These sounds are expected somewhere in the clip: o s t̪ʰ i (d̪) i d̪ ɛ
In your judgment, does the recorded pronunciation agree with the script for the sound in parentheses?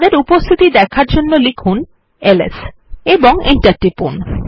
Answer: no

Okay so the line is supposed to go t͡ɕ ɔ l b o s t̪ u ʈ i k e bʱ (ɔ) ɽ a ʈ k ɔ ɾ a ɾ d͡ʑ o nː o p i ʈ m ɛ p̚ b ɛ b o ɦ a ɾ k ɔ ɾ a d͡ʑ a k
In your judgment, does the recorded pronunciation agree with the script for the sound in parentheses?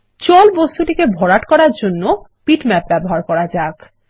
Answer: yes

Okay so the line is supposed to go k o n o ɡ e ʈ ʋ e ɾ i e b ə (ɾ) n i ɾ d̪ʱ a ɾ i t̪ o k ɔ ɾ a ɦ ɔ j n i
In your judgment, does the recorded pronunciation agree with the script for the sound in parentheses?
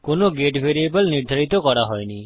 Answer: no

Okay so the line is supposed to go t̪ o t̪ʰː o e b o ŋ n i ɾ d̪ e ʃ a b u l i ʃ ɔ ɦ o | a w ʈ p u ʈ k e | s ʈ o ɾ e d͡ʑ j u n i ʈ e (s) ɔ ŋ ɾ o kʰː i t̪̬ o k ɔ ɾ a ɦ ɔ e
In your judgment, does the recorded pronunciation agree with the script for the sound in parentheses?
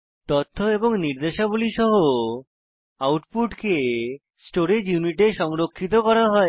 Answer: no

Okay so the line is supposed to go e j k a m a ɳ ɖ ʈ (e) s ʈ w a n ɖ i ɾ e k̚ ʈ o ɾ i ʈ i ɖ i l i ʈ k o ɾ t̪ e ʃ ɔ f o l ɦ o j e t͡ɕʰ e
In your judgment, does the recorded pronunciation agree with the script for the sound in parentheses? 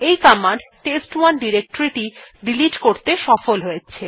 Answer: yes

